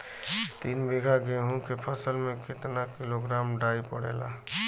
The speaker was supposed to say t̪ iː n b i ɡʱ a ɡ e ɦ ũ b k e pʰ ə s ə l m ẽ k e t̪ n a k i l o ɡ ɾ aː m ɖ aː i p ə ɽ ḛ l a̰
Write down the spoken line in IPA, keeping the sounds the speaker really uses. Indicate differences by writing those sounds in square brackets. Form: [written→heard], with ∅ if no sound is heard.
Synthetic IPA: t̪ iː n b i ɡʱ a ɡ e ɦ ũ [b→∅] k e pʰ ə s ə l m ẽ k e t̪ n a k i l o ɡ ɾ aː m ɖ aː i p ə ɽ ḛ l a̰